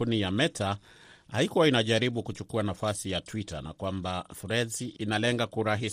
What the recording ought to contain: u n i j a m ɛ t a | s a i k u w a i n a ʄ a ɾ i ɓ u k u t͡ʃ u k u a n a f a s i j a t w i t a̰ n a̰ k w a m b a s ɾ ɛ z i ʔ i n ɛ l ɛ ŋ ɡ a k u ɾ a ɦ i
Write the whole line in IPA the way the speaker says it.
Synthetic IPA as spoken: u n i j a m ɛ t a | h a i k u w a i n a ʄ a ɾ i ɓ u k u t͡ʃ u k u a n a f a s i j a t w i t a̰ n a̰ k w a m b a f ɾ ɛ z i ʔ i n a l ɛ ŋ ɡ a k u ɾ a ɦ i